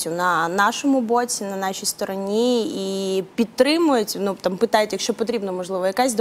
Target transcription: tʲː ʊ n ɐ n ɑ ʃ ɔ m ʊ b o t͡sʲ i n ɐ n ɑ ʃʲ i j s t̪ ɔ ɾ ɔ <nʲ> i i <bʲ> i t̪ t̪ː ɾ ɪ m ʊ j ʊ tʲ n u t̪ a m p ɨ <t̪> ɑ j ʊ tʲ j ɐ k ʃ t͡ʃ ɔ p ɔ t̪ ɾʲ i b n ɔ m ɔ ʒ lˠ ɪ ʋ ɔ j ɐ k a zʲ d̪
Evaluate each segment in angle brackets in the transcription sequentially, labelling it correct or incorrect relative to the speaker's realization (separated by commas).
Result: correct, incorrect, correct